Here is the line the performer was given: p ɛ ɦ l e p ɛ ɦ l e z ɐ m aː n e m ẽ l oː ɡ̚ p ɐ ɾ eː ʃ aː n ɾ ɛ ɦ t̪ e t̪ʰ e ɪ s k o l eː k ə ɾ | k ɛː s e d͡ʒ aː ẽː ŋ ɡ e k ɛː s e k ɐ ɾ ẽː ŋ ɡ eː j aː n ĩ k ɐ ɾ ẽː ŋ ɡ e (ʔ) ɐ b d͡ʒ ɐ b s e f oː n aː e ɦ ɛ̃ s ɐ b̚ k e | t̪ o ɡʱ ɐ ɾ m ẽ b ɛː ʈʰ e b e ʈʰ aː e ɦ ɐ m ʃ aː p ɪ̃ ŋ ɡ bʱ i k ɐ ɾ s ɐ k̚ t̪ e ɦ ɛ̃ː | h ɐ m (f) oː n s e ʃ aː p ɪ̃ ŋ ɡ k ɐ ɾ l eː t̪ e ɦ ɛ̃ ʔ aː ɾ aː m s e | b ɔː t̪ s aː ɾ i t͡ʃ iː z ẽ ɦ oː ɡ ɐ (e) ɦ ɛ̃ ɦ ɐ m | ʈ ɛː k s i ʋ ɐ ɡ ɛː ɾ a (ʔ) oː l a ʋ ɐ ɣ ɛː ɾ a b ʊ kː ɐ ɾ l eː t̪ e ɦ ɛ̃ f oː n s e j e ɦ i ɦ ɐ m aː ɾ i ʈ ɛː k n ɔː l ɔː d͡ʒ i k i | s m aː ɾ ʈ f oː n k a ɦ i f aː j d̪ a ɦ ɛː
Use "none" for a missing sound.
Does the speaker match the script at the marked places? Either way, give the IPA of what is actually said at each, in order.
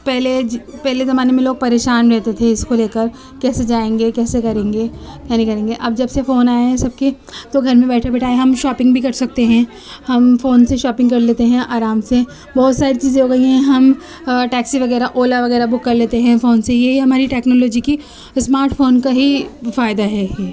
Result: ʔ, f, i, ʔ

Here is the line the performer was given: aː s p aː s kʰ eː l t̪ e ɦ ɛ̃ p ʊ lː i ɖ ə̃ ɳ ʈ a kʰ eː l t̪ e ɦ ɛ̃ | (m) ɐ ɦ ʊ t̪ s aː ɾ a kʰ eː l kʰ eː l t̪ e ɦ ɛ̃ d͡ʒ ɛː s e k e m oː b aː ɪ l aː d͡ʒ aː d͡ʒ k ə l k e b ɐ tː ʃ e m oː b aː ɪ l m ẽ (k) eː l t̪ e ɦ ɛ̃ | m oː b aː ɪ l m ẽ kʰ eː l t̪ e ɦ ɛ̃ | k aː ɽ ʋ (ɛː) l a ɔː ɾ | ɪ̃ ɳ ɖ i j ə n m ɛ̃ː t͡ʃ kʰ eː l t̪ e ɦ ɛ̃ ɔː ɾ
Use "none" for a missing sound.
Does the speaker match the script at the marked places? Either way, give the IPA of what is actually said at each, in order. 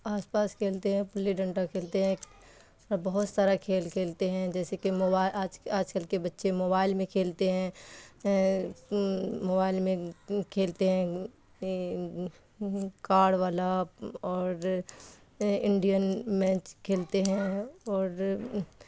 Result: b, kʰ, aː

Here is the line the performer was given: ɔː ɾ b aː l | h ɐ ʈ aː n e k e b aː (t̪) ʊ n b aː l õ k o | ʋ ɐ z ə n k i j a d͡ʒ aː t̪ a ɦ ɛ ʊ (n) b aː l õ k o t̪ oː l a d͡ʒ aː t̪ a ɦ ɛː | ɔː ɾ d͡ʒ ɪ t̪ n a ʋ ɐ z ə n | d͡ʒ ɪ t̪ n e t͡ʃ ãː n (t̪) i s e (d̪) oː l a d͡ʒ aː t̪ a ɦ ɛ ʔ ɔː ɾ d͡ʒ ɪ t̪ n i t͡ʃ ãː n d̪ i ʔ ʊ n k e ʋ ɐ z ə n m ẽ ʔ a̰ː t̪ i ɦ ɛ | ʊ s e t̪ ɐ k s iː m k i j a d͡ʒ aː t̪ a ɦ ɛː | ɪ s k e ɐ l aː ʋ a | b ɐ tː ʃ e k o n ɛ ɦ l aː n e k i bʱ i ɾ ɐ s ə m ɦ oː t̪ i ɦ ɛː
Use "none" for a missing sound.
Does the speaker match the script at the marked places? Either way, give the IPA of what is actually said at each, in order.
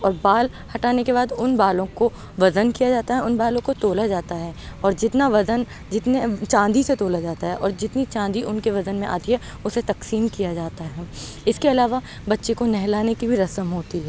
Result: d̪, n, d̪, t̪

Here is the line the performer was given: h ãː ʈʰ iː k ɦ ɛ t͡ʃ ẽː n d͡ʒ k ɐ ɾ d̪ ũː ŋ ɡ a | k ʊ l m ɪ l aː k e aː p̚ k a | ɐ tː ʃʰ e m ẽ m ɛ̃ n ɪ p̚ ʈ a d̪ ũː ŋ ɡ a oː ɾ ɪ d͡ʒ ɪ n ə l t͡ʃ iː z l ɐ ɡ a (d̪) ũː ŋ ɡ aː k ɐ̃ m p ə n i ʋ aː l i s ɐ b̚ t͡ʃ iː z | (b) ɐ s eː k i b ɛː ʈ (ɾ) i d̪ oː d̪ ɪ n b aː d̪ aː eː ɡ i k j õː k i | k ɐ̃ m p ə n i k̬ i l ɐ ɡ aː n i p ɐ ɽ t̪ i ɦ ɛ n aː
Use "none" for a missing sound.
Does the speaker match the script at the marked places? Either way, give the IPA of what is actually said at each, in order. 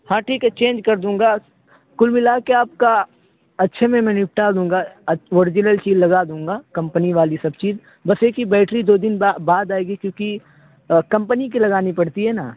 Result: d̪, b, ɾ

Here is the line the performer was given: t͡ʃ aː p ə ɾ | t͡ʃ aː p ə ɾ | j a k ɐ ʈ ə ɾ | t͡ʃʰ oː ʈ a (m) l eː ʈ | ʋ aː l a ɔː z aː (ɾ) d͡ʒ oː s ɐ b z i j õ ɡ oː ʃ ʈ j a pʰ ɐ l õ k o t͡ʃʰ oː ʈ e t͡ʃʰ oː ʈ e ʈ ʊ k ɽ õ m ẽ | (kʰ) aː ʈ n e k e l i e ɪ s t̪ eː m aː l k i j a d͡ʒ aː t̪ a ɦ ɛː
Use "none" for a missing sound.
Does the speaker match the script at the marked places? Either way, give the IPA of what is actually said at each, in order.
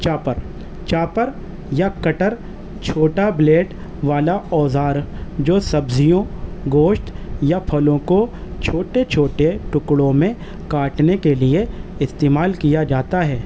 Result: b, ɾ, k

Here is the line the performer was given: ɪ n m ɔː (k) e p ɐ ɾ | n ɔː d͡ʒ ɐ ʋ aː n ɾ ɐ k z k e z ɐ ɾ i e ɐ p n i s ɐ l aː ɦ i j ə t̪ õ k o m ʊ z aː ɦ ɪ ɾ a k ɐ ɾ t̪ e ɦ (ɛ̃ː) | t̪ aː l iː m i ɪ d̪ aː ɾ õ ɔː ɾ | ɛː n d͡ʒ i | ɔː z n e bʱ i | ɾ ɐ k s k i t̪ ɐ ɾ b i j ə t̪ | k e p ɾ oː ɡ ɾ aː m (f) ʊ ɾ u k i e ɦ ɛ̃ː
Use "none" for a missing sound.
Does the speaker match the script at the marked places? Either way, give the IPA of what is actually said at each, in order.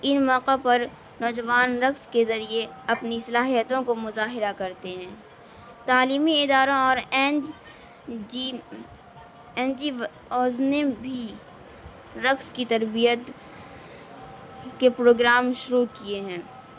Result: q, ɛ̃ː, ʃ

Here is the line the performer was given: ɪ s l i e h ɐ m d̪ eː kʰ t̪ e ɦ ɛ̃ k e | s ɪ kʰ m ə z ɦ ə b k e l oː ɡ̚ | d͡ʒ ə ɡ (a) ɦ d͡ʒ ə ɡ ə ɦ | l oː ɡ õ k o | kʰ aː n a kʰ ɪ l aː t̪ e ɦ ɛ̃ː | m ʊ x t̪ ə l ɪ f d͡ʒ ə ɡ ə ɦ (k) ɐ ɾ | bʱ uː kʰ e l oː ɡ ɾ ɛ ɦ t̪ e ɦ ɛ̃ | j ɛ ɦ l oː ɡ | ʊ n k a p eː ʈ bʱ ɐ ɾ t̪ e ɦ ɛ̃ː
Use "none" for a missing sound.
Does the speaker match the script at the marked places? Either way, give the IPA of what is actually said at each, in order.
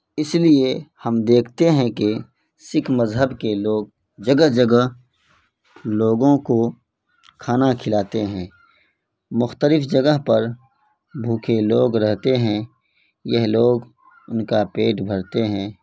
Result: ə, p

